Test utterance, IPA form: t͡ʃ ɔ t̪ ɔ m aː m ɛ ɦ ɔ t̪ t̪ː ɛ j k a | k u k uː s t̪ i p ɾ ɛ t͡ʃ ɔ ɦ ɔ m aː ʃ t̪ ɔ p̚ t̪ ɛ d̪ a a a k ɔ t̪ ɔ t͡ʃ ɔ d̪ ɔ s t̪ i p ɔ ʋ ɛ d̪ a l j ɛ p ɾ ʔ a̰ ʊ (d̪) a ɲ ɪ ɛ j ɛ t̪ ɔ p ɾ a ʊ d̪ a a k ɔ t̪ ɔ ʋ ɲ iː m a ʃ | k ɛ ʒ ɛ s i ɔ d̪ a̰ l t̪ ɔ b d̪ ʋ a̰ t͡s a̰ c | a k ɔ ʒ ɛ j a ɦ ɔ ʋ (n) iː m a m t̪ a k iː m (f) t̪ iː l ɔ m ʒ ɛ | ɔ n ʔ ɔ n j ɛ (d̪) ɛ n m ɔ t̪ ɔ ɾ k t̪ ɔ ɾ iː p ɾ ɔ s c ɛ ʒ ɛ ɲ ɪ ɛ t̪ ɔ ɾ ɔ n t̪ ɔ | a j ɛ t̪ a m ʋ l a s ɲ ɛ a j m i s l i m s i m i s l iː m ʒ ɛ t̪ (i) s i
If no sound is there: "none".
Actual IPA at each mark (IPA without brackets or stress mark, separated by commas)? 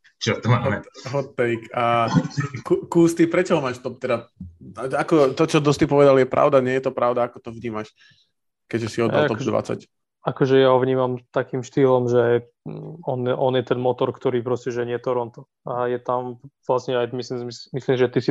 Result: d̪, ɲ, ʃ, t̪, i